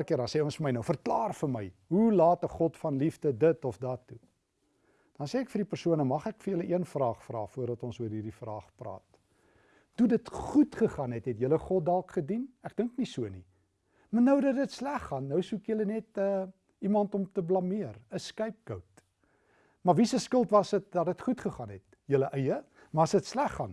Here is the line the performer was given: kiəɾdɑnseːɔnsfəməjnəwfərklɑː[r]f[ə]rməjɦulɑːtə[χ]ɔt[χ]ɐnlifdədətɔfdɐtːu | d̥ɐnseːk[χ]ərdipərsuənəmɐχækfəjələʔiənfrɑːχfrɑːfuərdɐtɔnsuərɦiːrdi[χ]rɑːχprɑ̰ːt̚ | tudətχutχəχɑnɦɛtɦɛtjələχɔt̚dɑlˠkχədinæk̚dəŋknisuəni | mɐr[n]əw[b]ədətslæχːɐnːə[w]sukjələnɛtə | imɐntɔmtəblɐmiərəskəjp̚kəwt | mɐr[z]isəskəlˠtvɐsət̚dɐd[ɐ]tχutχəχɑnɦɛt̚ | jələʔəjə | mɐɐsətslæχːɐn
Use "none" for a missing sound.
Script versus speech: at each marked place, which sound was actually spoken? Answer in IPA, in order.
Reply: r, ə, χ, f, f, f, n, d, w, v, ə

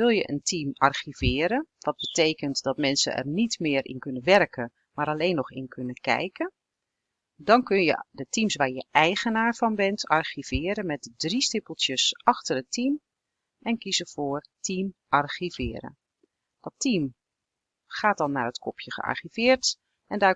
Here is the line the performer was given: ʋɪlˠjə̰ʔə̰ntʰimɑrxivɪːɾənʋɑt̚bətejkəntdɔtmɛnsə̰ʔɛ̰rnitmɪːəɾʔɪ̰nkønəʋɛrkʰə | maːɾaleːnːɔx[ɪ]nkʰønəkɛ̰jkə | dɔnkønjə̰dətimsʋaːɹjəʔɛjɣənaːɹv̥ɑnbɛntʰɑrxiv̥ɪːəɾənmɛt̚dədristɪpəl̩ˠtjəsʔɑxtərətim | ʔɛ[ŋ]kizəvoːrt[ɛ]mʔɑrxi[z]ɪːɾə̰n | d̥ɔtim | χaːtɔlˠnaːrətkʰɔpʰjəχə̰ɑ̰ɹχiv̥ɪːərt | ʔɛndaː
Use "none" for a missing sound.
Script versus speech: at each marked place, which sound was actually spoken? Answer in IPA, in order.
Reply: ɪ, n, i, v

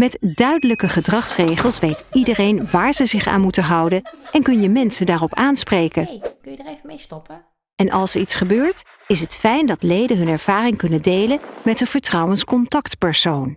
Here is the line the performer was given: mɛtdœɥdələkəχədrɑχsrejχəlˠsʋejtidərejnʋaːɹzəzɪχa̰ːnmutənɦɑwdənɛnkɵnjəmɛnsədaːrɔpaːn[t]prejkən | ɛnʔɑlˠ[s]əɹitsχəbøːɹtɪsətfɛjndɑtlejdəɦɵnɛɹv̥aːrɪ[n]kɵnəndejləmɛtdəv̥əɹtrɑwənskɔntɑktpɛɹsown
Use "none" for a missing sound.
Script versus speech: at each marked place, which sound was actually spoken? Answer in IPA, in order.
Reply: s, s, ŋ

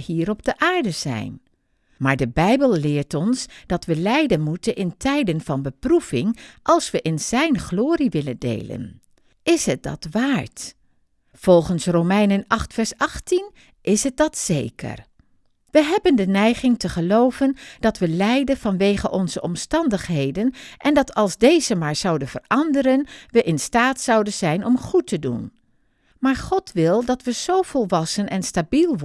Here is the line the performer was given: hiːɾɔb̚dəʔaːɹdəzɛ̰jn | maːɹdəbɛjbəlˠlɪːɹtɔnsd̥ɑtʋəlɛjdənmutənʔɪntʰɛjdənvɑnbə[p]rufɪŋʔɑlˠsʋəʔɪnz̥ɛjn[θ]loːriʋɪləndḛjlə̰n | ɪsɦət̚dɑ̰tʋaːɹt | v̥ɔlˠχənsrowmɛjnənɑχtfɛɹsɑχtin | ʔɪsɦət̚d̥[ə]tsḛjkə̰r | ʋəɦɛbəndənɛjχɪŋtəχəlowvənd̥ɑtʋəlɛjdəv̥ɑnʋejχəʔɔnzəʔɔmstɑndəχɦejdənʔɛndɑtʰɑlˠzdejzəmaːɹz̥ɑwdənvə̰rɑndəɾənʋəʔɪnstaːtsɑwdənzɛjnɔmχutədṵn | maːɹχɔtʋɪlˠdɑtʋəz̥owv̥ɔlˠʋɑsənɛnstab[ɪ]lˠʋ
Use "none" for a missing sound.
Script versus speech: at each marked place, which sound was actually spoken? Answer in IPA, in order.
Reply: p, χ, ɑ, i

